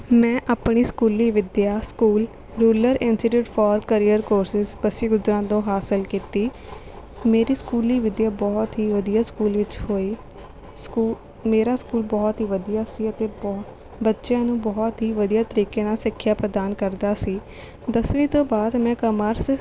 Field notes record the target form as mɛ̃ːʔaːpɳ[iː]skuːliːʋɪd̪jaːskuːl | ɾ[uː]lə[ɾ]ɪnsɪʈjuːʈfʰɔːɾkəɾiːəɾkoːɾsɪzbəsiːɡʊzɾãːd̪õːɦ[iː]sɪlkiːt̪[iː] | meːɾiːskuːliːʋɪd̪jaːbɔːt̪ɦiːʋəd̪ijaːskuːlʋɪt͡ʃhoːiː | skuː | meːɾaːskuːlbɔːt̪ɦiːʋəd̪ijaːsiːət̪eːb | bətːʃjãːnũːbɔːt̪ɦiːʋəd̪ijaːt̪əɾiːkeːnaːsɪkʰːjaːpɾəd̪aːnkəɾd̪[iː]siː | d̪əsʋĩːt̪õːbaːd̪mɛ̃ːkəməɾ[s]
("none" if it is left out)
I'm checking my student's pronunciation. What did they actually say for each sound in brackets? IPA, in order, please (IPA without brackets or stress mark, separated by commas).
iː, uː, ɾ, aː, iː, aː, s